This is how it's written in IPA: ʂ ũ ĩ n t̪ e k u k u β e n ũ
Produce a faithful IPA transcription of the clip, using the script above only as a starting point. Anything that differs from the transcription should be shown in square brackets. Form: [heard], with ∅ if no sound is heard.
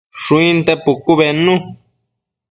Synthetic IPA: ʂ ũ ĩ n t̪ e [p] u k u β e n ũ